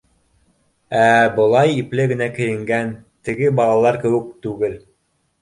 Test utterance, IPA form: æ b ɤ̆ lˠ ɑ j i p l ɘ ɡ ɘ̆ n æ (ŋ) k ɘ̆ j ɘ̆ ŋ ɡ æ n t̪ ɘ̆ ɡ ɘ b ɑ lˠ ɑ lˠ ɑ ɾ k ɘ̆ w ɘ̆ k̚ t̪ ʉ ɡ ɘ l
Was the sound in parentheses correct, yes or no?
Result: no